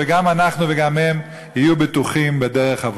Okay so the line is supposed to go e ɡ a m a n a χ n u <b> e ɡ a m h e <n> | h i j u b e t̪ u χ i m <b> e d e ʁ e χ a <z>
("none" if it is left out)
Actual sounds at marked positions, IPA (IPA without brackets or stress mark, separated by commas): v, m, b, v